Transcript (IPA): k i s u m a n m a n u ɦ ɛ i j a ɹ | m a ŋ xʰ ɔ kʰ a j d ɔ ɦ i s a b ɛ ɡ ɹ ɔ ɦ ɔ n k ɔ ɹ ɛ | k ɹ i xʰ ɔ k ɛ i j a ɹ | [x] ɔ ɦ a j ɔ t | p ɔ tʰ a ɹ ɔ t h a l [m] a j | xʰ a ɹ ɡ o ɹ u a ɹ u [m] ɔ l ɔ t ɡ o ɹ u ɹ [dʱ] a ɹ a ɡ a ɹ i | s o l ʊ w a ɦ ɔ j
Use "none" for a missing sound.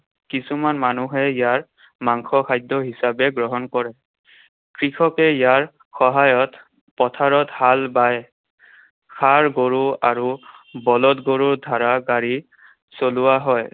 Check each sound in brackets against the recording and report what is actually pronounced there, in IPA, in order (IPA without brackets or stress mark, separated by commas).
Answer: x, b, b, dʱ